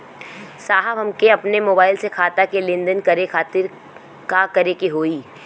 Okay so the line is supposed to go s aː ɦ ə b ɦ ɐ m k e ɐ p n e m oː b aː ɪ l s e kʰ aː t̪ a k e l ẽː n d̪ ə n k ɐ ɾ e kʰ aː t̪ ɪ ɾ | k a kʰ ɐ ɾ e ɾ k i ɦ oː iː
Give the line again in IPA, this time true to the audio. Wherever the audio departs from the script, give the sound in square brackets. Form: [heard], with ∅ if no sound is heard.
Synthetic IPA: s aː ɦ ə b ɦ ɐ m k e ɐ p n e m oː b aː ɪ l s e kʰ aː t̪ a k e l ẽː n d̪ ə n k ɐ ɾ e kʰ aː t̪ ɪ ɾ | k a [k] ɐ ɾ e [∅] k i ɦ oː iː